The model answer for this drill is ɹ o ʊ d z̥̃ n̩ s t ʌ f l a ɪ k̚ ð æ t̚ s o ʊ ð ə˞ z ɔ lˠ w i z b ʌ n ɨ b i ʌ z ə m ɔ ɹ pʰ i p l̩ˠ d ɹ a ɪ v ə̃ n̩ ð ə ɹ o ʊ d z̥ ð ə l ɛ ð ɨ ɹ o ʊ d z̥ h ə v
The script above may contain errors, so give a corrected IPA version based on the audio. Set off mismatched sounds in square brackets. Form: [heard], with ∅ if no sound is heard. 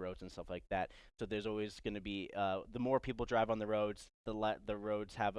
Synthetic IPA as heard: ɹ o ʊ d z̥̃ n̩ s t ʌ f l a ɪ k̚ ð æ t̚ s o ʊ ð ə˞ z ɔ lˠ w i z [ɡ] ʌ n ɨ b i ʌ [ð] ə m ɔ ɹ pʰ i p l̩ˠ d ɹ a ɪ v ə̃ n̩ ð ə ɹ o ʊ d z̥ ð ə l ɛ ð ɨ ɹ o ʊ d z̥ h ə v